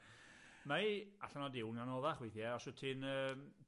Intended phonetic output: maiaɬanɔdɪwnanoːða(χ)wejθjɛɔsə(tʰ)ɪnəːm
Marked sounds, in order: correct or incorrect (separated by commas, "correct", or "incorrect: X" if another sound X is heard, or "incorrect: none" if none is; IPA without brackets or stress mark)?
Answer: correct, correct